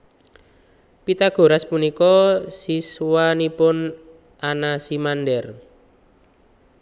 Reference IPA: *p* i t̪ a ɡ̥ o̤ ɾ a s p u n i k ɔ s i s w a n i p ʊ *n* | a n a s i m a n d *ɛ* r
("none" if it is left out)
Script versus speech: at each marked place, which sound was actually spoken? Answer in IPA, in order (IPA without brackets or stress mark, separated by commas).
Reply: p, n, ɛ